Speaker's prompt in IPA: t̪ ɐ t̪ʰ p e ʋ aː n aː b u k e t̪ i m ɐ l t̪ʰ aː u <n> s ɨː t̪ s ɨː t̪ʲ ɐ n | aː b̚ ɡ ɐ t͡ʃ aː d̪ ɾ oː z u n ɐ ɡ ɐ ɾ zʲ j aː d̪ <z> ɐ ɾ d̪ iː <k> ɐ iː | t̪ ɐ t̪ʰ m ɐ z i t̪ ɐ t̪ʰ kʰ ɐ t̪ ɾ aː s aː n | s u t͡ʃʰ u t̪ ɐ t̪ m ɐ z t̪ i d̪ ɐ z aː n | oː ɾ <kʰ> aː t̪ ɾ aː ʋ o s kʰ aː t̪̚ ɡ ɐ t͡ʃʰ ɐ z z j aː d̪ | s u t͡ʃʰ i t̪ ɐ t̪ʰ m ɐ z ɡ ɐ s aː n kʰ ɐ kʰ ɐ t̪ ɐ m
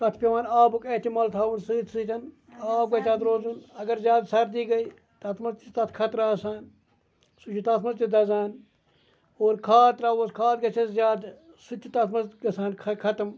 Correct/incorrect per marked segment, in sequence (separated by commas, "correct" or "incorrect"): correct, incorrect, incorrect, correct